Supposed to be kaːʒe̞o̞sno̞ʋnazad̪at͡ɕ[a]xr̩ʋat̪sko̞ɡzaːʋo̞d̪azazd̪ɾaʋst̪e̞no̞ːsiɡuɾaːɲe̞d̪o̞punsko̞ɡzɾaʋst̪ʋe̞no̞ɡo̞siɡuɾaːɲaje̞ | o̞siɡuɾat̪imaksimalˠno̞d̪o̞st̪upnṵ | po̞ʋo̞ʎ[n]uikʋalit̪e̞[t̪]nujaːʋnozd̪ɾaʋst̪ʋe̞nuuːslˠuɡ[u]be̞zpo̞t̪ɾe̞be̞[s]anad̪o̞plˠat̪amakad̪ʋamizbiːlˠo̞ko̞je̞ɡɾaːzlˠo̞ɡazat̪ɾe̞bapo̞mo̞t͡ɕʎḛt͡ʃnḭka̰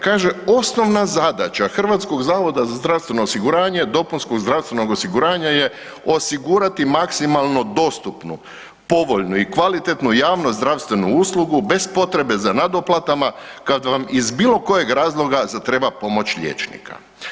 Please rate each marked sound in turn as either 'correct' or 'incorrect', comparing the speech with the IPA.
correct, correct, correct, correct, incorrect: z

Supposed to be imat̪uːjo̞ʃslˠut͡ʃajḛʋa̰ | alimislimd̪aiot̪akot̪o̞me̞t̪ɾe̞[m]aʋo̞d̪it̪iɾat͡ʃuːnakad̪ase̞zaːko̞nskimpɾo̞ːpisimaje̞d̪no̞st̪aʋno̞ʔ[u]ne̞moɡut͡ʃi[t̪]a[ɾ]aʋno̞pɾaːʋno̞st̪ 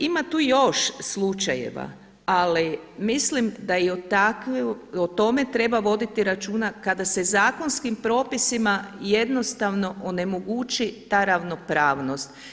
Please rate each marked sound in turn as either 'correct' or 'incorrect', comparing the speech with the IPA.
incorrect: b, incorrect: o, correct, correct

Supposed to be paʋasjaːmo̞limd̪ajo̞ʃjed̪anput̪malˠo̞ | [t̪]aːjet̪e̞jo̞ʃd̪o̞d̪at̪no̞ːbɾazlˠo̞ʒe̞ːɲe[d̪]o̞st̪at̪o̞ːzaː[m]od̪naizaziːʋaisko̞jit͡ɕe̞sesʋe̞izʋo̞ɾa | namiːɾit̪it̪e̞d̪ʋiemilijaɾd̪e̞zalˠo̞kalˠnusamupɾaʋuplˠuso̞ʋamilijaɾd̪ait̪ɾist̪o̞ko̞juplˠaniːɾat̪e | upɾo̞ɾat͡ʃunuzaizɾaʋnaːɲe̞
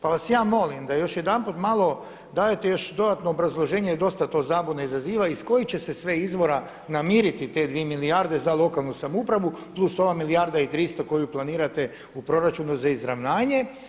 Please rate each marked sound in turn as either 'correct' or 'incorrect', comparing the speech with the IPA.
incorrect: d̪, correct, incorrect: b

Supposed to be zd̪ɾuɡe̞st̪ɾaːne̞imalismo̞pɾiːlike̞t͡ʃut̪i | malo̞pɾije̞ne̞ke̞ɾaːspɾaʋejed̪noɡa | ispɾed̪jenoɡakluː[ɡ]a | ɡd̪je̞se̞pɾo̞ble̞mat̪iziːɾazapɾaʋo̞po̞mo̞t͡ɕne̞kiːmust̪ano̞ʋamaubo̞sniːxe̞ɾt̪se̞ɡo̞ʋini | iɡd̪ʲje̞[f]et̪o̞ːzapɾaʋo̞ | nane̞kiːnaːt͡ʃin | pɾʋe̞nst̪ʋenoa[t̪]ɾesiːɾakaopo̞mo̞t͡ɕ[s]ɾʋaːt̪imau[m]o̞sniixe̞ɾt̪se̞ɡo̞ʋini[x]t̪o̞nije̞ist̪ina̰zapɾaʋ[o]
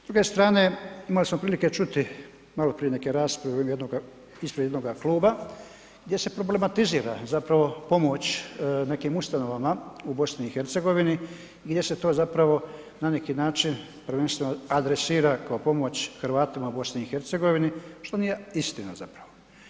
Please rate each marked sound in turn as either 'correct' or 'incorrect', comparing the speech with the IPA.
incorrect: b, incorrect: s, incorrect: d̪, incorrect: x, incorrect: b, incorrect: ʃ, correct

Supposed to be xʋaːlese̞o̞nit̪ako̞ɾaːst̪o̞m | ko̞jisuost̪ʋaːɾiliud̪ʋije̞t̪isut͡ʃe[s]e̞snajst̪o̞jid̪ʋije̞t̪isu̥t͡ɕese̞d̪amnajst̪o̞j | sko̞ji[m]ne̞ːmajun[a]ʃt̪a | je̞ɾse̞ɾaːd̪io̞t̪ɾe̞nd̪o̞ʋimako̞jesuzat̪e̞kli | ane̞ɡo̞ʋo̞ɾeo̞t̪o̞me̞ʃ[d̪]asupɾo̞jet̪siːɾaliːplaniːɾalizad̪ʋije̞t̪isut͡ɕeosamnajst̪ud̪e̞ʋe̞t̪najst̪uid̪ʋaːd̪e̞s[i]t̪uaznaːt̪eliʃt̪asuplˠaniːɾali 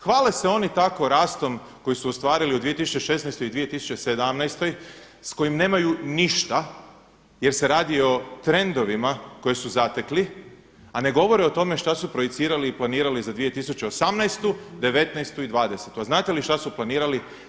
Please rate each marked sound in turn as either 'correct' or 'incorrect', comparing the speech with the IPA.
incorrect: ʃ, correct, incorrect: i, incorrect: t̪, incorrect: e

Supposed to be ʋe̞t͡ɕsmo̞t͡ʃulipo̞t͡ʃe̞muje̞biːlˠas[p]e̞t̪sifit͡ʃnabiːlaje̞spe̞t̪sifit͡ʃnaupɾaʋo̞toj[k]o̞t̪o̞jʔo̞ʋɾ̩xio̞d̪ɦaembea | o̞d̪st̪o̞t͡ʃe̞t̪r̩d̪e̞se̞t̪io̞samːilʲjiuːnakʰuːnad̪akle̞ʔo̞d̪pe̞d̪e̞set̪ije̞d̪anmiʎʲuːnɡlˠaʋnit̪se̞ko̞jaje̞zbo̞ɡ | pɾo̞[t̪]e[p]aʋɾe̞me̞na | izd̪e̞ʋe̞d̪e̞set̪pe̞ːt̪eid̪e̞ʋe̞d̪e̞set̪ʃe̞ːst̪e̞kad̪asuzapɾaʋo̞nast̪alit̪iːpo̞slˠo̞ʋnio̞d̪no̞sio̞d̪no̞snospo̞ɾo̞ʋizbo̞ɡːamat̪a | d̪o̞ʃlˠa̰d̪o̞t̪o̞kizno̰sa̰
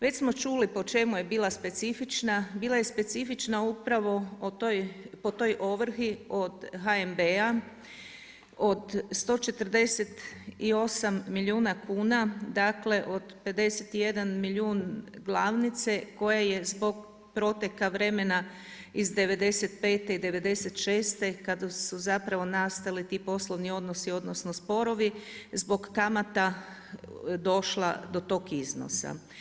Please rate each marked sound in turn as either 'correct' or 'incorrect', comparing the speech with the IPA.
correct, incorrect: p, correct, incorrect: k

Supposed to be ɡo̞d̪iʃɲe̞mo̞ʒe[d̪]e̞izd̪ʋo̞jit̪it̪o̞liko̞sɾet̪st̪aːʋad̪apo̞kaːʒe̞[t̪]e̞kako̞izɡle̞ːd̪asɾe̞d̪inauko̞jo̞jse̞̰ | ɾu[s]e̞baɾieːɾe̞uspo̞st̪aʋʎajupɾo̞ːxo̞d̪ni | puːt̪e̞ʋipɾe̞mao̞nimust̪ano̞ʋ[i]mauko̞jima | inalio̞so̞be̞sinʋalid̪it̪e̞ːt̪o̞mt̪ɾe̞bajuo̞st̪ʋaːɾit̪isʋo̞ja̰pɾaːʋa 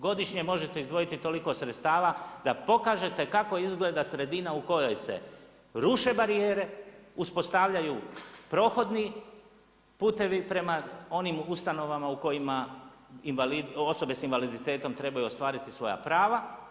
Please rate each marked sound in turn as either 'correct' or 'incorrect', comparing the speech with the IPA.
incorrect: t̪, correct, incorrect: ʃ, incorrect: a

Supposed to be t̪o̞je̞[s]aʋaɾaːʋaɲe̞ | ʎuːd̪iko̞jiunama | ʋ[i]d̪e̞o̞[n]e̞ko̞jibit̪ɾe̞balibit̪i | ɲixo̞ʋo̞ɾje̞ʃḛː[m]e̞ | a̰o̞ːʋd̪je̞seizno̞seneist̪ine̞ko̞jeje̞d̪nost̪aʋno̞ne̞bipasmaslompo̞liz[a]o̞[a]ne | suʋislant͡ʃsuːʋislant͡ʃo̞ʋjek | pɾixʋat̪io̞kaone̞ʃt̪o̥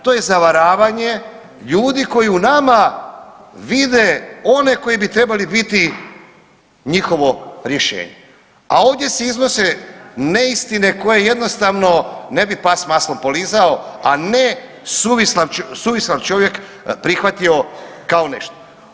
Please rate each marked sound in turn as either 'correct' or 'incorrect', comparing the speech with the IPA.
incorrect: z, correct, correct, incorrect: ɲ, correct, correct

